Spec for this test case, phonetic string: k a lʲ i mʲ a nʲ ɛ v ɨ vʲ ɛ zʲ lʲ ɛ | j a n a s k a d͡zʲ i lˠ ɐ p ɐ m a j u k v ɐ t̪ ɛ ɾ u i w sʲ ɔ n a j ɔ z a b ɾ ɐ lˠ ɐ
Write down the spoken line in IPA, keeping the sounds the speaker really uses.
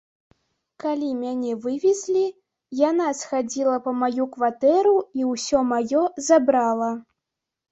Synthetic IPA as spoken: k a lʲ i mʲ a nʲ ɛ v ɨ vʲ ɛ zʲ lʲ i | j a n a s x a d͡zʲ i lˠ ɐ p ɐ m a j u k v a t̪ ɛ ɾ u i w sʲ ɔ m a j ɔ z a b ɾ a lˠ ɐ